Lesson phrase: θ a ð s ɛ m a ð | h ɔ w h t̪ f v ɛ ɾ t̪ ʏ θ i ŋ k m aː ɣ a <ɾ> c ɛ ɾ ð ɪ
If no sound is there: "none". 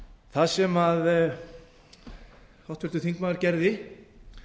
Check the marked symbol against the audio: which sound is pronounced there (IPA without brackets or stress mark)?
ɾ